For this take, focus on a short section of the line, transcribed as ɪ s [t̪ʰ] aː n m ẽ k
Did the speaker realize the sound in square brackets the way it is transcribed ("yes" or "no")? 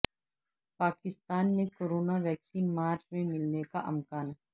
no